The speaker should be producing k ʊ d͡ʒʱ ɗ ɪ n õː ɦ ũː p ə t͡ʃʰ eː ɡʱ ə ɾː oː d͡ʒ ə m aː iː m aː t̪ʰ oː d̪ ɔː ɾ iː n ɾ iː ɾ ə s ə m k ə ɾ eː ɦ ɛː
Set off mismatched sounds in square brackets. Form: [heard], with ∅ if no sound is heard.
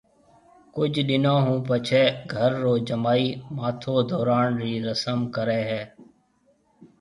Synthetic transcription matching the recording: k ʊ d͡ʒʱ ɗ ɪ n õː ɦ ũː p ə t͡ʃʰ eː ɡʱ ə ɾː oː d͡ʒ ə m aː iː m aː t̪ʰ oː d̪ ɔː ɾ [aː] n ɾ iː ɾ ə s ə m k ə ɾ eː ɦ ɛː